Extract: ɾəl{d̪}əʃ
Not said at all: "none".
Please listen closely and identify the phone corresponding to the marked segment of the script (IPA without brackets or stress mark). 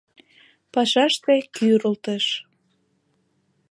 t̪